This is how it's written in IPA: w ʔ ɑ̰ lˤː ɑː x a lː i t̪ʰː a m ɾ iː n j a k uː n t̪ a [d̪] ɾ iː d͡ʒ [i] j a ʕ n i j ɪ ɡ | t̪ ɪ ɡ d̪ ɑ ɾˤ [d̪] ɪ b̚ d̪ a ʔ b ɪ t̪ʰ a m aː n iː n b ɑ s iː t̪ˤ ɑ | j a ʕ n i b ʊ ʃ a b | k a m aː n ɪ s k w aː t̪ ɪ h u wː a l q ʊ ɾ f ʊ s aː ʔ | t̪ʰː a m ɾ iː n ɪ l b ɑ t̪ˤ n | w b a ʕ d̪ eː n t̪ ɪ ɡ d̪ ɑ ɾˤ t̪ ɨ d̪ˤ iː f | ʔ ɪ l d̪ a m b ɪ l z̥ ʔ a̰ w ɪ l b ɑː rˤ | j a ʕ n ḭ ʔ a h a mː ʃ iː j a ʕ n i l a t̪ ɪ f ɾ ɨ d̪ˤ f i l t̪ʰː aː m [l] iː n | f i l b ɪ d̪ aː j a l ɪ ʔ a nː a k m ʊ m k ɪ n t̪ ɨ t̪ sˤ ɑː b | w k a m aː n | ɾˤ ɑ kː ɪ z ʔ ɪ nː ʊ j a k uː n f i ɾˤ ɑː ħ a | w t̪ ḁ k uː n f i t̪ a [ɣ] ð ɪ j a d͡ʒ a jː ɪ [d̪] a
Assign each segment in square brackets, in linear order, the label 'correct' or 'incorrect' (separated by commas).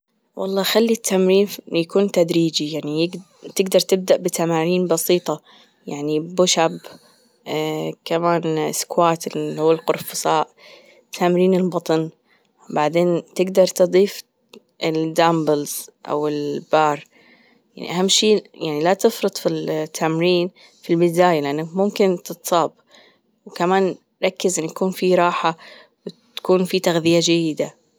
correct, correct, incorrect, incorrect, correct, correct